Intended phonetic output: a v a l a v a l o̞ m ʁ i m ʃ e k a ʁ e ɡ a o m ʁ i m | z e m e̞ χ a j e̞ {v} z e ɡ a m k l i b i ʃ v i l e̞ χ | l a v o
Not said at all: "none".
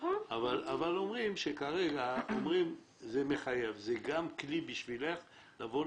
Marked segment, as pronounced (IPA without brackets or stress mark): v